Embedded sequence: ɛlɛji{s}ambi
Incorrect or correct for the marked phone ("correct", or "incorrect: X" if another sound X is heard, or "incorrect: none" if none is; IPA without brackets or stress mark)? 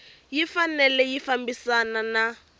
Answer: incorrect: f